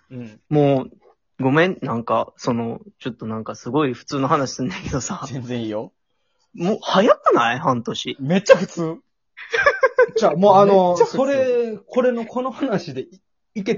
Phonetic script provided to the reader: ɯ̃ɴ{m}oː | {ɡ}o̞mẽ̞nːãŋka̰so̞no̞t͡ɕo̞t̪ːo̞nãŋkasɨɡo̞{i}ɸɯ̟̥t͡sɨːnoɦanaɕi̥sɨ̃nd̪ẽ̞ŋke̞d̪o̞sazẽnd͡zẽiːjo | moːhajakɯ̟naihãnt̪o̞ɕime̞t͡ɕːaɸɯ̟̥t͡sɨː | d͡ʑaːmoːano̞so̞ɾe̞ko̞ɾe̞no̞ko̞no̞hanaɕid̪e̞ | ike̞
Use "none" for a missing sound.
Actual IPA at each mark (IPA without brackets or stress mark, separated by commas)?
m, ɡ, i